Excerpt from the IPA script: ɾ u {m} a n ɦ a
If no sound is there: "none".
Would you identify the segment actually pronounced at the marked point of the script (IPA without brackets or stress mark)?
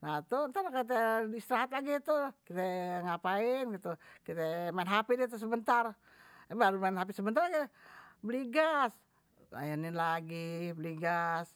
m